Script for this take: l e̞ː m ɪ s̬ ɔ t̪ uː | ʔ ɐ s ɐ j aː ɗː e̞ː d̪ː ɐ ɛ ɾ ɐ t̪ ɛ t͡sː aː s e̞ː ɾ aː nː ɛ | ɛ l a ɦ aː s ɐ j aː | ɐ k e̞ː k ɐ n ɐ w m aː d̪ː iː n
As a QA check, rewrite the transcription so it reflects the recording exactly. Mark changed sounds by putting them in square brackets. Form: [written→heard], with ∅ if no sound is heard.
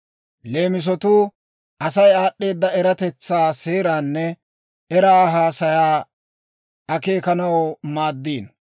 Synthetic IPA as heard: l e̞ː m ɪ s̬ ɔ t̪ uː | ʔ ɐ s ɐ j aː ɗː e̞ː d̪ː ɐ ɛ ɾ ɐ t̪ ɛ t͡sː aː s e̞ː ɾ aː nː ɛ | ɛ [l→ɾ] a ɦ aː s ɐ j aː | ɐ k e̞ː k ɐ n ɐ w m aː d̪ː iː n